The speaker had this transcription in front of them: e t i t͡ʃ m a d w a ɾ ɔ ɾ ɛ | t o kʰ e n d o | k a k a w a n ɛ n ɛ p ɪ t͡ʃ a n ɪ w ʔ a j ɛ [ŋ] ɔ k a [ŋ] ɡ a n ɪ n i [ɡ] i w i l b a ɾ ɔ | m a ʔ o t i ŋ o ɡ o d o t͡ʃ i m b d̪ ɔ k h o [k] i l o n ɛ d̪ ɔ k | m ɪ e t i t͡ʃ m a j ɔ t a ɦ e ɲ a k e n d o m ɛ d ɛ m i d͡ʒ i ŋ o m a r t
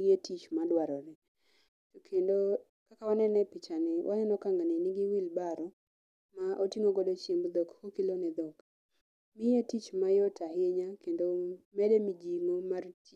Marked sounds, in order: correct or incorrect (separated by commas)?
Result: incorrect, correct, correct, correct